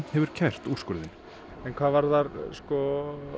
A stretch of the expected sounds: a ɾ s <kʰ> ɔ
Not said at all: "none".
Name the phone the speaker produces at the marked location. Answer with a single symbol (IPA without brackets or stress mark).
k